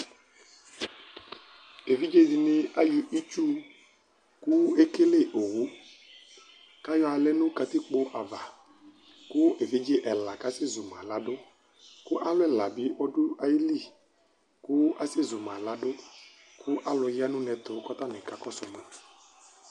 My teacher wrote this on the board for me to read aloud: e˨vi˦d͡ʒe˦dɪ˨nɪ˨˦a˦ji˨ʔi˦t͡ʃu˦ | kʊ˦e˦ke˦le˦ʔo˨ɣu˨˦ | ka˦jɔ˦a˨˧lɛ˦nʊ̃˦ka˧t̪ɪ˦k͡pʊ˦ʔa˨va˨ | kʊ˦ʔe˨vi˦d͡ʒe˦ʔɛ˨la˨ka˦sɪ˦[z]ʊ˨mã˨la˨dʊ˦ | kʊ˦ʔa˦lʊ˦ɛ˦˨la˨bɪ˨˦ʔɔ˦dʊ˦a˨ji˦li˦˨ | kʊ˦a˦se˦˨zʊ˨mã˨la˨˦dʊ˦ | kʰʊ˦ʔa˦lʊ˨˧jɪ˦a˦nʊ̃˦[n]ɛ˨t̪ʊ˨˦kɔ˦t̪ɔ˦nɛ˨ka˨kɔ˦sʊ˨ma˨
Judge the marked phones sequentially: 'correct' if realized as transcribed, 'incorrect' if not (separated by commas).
correct, correct